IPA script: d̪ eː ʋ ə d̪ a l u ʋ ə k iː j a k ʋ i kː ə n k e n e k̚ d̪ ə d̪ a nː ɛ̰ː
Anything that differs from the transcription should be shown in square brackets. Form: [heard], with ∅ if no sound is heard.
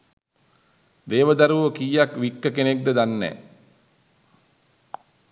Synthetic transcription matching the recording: d̪ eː ʋ ə d̪ a [ɾ] u ʋ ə k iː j a k ʋ i kː ə [∅] k e n e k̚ d̪ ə d̪ a nː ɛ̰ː